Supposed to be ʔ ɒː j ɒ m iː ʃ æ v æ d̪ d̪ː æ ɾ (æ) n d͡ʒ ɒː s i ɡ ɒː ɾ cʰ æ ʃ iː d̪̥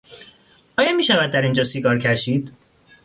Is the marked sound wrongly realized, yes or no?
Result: yes